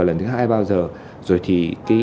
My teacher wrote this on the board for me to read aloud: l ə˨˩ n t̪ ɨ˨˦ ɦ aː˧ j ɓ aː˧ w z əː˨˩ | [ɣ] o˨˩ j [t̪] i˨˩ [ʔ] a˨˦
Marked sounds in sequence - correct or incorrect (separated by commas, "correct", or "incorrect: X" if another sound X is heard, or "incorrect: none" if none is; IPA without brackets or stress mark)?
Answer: incorrect: z, incorrect: t̪ʰ, incorrect: k